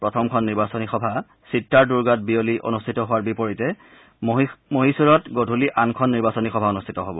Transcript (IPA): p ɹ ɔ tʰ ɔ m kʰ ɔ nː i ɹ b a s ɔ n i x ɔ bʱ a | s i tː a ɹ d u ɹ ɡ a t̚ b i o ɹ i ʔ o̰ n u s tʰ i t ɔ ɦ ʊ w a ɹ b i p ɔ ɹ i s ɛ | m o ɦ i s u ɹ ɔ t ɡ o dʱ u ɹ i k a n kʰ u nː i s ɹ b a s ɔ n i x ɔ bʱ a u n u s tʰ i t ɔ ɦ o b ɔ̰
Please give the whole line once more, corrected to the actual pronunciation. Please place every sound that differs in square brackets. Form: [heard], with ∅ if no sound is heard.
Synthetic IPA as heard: p ɹ ɔ tʰ ɔ m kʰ ɔ nː i ɹ b a s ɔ n i x ɔ bʱ a | s i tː a ɹ d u ɹ ɡ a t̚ b i o [l] i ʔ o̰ n u s tʰ i t ɔ ɦ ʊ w a ɹ b i p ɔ ɹ i [t] ɛ | m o ɦ i s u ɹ ɔ t ɡ o dʱ u [l] i [ʔ] a n kʰ [ɔ] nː i [∅] ɹ b a s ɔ n i x ɔ bʱ a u n u s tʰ i t ɔ ɦ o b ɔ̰

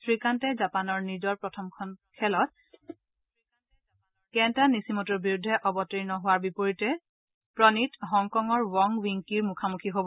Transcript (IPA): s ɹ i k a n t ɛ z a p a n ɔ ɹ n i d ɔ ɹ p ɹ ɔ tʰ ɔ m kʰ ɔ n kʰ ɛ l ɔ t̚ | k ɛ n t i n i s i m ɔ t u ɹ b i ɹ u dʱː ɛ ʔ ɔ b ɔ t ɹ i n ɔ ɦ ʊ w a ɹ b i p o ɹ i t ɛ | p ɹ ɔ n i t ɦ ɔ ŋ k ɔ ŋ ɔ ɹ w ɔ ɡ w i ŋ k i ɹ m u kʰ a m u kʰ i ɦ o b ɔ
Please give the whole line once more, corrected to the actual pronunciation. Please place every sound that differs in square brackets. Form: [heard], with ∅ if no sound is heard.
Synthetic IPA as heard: s ɹ i k a n t ɛ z a p a n ɔ ɹ n i d ɔ ɹ p ɹ ɔ tʰ ɔ m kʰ ɔ n kʰ ɛ l ɔ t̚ | k ɛ n t [a] n i s i m ɔ t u ɹ b i ɹ u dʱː ɛ ʔ ɔ b ɔ t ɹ i n ɔ ɦ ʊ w a ɹ b i p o ɹ i t ɛ | p ɹ ɔ n i t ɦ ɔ ŋ k ɔ ŋ ɔ ɹ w ɔ [ŋ] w i ŋ k i ɹ m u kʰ a m u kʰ i ɦ o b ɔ

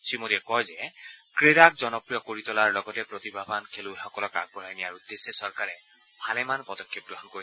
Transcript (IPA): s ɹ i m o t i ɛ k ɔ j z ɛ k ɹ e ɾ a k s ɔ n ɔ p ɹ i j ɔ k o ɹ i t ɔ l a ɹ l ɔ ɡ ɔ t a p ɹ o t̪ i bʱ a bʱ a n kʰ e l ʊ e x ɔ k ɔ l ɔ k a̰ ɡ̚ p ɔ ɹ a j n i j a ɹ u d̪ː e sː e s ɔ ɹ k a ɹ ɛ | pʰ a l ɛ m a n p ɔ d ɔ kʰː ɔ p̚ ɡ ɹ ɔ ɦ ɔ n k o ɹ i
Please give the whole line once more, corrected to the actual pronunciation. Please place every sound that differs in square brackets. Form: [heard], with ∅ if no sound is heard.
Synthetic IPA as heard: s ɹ i m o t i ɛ k ɔ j z ɛ k ɹ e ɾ a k [z] ɔ n ɔ p ɹ i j ɔ k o ɹ i t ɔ l a ɹ l ɔ ɡ ɔ t [ɛ] p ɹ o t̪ i bʱ a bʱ a n kʰ e l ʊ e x ɔ k ɔ l ɔ k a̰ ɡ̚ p ɔ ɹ a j n i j a ɹ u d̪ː e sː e s ɔ ɹ k a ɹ ɛ | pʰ a l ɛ m a n p ɔ d ɔ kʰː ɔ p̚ ɡ ɹ ɔ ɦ ɔ n k o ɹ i

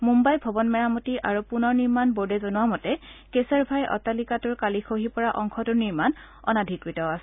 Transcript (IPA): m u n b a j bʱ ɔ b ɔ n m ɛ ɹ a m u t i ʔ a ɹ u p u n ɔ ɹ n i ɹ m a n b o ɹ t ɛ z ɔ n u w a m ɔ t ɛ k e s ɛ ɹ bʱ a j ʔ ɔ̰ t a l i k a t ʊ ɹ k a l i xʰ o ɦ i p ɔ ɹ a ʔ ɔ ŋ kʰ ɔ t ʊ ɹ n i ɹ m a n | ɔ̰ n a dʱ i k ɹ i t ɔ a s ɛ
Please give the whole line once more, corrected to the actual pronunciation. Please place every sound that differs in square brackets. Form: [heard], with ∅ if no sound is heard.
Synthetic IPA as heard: m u [m] b a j bʱ ɔ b ɔ n m ɛ ɹ a m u t i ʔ a ɹ u p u n ɔ ɹ n i ɹ m a n b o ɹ [d] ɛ z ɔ n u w a m ɔ t ɛ k e s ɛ ɹ bʱ a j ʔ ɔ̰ t a l i k a t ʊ ɹ k a l i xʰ o ɦ i p ɔ ɹ a ʔ ɔ ŋ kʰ ɔ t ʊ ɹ n i ɹ m a n | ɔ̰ n a dʱ i k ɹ i t ɔ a s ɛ

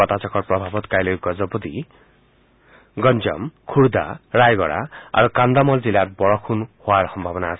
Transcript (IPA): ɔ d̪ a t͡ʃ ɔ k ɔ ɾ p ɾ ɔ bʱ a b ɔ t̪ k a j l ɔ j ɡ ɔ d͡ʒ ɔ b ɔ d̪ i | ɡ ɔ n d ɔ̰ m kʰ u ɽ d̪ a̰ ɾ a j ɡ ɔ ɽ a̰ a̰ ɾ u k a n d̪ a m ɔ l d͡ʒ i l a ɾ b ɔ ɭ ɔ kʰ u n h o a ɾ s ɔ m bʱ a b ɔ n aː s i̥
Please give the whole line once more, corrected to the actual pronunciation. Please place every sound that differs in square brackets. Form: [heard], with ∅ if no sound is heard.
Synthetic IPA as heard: ɔ [t̪] a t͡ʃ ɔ k ɔ ɾ p ɾ ɔ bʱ a b ɔ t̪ k a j l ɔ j ɡ ɔ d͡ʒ ɔ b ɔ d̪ i | ɡ ɔ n [d͡ʒ] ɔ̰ m kʰ u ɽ d̪ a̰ ɾ a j ɡ ɔ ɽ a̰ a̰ ɾ u k a n d̪ a m ɔ l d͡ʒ i l a ɾ b ɔ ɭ ɔ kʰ u n h o a ɾ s ɔ m bʱ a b ɔ n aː s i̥

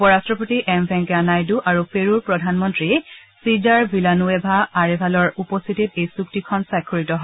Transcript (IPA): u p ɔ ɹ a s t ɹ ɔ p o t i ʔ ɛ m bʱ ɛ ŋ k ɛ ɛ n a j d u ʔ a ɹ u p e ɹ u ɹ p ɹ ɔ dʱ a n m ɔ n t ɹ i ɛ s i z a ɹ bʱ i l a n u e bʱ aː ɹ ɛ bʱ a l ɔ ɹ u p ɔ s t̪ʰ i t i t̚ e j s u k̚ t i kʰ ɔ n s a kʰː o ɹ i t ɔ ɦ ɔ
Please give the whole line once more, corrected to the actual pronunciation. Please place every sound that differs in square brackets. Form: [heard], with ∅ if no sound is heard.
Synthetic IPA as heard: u p ɔ ɹ a s t ɹ ɔ p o t i ʔ ɛ m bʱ ɛ ŋ k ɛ [a] n a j d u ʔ a ɹ u p e ɹ u ɹ p ɹ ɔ dʱ a n m ɔ n t ɹ i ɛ s i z a ɹ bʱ i l a n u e bʱ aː ɹ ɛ bʱ a l ɔ ɹ u p ɔ s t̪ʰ i t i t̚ e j s u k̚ t i kʰ ɔ n s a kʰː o ɹ i t ɔ ɦ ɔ

